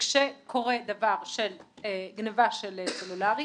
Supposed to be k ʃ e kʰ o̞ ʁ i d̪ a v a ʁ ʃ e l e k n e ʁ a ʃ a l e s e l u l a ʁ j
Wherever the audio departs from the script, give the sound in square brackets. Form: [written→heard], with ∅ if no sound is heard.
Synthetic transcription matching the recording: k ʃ e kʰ o̞ ʁ [i→e] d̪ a v a ʁ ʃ e l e [k→ɡ] n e [ʁ→v] a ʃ [a→e] l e s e l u l a ʁ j

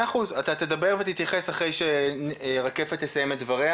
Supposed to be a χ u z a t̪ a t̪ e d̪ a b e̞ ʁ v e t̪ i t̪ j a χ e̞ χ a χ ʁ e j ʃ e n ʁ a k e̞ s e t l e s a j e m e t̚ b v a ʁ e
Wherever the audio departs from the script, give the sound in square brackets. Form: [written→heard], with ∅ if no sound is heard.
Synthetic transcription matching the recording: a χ u z a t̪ a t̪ e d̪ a b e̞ ʁ v e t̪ i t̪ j a χ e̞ [χ→s] a χ ʁ e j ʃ e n ʁ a k e̞ [s→f] e t l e s a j e m e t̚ [b→d] v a ʁ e

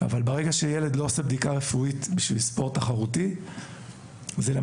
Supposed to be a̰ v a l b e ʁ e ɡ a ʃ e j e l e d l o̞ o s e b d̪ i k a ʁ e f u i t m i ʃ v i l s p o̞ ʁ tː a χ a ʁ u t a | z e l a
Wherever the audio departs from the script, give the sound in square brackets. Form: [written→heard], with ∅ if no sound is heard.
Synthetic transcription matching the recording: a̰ v a l b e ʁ e ɡ a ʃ e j e l e d l o̞ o s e b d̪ i k a ʁ e f u i t [m→b] i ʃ v i l s p o̞ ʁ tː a χ a ʁ u t [a→i] | z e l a

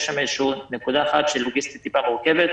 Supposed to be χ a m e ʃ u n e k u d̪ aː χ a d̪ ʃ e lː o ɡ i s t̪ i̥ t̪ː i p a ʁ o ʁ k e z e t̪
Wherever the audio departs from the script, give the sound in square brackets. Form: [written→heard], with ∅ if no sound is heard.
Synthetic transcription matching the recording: [χ→ʃ] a m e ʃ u n e k u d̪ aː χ a [d̪→t̪] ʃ e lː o ɡ i s t̪ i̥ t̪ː i p a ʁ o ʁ k e [z→v] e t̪

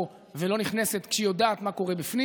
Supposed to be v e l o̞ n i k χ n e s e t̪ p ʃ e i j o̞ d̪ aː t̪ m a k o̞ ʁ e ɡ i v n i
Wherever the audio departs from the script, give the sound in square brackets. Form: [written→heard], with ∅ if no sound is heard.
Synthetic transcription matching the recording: v e l o̞ n i [k→∅] χ n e s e t̪ [p→k] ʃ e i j o̞ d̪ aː t̪ m a k o̞ ʁ e [ɡ→b] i [v→f] n i

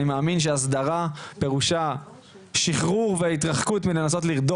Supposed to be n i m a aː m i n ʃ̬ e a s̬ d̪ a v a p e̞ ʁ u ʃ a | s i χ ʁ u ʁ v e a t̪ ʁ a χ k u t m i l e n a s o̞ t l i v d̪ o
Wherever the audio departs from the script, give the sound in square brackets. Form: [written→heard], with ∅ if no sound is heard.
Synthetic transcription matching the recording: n i m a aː m i n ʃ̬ e a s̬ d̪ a [v→ʁ] a p e̞ ʁ u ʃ a | [s→ʃ] i χ ʁ u ʁ v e [a→i] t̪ ʁ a χ k u t m i l e n a s o̞ t l i [v→ʁ] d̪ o

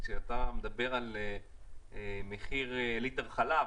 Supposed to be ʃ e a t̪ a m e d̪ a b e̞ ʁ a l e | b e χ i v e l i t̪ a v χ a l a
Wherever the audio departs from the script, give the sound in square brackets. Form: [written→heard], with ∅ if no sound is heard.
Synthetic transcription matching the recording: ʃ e a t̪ a m e d̪ a b e̞ ʁ a l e | [b→m] e χ i [v→ʁ] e l i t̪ a v χ a l a

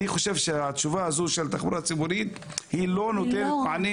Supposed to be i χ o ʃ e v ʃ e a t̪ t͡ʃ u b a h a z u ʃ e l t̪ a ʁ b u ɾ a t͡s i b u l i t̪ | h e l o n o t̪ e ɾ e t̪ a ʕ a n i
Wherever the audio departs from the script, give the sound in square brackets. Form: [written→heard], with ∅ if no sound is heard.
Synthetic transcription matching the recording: i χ o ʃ e v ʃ e a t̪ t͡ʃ u [b→v] a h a z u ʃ e l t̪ a [ʁ→χ] b u ɾ a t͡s i b u [l→ɾ] i t̪ | h [e→i] l o n o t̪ e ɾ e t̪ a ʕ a n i

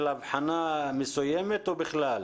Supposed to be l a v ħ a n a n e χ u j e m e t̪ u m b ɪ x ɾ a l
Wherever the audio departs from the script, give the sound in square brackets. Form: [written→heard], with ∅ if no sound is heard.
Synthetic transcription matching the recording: l a v ħ a n a [n→m] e [χ→s] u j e m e t̪ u [m→∅] b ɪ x [ɾ→l] a l

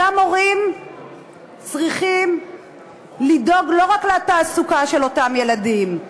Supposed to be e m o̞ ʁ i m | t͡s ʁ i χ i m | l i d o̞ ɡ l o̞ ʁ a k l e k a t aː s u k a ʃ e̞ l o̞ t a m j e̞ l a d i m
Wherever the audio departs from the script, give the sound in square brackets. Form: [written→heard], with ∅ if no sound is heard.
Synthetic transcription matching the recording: [e→a] m o̞ ʁ i m | t͡s ʁ i χ i m | l i d o̞ ɡ l o̞ ʁ a k l e [k→∅] a t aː s u k a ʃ e̞ l o̞ t a m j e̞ l a d i m

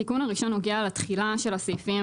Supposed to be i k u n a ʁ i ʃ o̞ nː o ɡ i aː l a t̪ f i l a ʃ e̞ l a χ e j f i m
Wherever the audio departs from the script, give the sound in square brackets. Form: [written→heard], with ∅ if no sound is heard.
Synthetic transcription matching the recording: i k u n a ʁ i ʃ o̞ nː o ɡ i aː l a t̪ [f→χ] i l a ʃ e̞ l a [χ→s] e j f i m

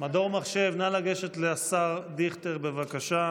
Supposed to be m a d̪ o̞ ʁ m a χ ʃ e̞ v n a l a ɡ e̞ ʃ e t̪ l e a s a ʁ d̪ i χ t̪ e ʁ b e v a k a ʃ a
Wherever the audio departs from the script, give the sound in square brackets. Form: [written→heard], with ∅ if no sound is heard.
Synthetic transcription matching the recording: m a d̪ o̞ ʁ m a χ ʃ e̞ v n a l a ɡ e̞ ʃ e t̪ l e a s a ʁ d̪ i χ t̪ e ʁ b e v a k a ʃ a

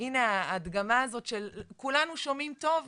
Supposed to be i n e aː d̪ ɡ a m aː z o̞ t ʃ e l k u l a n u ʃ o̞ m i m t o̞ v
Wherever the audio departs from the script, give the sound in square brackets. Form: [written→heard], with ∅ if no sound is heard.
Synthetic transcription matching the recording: i n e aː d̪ ɡ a m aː z o̞ t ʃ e l k u l a n u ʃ o̞ m i m t o̞ v

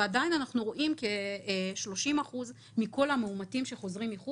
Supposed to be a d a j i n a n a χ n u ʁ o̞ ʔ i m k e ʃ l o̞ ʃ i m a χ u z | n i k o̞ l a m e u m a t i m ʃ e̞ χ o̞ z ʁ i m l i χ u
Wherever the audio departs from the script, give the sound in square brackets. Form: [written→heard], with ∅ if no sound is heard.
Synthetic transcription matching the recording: a d a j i n a n a χ n u ʁ o̞ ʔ i m k e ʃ l o̞ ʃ i m a χ u z | [n→m] i k o̞ l a m e u m a t i m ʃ e̞ χ o̞ z ʁ i m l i χ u

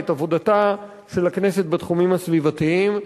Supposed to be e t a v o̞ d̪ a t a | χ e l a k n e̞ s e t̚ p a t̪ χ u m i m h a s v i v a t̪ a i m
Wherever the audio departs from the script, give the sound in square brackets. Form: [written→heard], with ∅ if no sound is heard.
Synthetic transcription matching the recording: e t a v o̞ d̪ a t a | [χ→ʃ] e l a k n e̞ s e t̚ [p→b] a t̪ χ u m i m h a s v i v a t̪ [a→i] i m

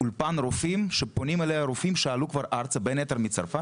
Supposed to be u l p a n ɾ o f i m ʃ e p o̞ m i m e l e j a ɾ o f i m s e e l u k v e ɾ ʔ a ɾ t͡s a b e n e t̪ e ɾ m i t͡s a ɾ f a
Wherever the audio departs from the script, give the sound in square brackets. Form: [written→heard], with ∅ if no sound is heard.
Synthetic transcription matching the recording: u l p a n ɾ o f i m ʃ e p o̞ [m→n] i m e l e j a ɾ o f i m [s→ʃ] e [e→a] l u k v [e→a] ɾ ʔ a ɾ t͡s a b e n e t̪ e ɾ m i t͡s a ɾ f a

